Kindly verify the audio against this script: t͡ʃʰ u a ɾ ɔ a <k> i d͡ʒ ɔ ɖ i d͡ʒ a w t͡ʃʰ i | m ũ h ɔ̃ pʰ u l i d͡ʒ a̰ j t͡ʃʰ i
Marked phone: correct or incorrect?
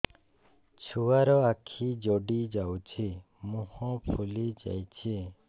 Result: incorrect